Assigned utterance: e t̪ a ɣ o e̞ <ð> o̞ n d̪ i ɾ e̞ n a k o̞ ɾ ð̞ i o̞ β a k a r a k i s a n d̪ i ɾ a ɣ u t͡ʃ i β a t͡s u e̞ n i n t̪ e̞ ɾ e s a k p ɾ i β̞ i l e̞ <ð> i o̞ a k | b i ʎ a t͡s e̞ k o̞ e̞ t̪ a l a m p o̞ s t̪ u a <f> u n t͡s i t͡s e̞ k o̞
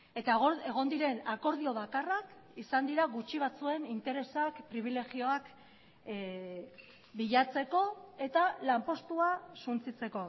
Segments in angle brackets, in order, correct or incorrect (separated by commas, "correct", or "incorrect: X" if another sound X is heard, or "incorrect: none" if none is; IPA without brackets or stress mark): incorrect: ɣ, incorrect: ɣ, incorrect: s